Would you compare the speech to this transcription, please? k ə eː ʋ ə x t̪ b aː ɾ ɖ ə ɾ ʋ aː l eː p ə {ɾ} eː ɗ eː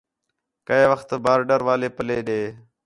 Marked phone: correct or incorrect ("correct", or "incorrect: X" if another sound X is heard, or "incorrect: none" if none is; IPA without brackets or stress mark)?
incorrect: l